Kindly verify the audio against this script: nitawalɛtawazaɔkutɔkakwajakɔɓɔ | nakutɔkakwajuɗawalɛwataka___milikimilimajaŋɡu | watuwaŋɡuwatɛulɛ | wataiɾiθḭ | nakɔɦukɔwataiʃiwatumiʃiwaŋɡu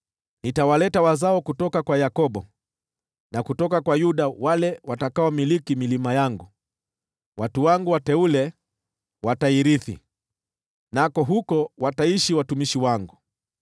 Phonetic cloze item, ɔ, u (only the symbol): ɔ